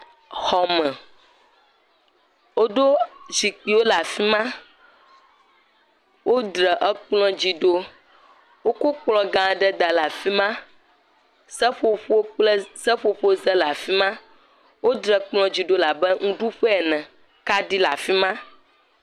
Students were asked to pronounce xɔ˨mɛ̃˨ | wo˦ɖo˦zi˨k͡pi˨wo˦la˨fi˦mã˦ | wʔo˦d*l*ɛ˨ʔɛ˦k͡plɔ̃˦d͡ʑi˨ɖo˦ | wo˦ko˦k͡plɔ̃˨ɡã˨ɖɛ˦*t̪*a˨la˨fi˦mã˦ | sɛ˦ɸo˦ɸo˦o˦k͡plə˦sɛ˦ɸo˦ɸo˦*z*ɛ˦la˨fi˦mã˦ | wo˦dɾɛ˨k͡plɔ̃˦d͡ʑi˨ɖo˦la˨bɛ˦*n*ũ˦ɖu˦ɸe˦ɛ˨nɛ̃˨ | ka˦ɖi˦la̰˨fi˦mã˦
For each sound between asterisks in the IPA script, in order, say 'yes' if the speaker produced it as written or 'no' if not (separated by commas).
no, no, yes, no